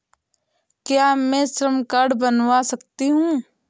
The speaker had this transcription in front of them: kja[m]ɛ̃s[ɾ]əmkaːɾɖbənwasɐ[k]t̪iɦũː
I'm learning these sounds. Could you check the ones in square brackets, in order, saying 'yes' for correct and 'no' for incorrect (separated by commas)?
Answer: yes, yes, yes